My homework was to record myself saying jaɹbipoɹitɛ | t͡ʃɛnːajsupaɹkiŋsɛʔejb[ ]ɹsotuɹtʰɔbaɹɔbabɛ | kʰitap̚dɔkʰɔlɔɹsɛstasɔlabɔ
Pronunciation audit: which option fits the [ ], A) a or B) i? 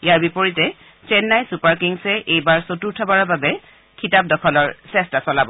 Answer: A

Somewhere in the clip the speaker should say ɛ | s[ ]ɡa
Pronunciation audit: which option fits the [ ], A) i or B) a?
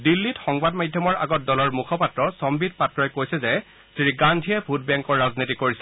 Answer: A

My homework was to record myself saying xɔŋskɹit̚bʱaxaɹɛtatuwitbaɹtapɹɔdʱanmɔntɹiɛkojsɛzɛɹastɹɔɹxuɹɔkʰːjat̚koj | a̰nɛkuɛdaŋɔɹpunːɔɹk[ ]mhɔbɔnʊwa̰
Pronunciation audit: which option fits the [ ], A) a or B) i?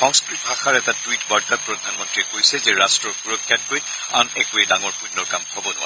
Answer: A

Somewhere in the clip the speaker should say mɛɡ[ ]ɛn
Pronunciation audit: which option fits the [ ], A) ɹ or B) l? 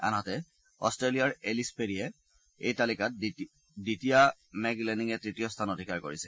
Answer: B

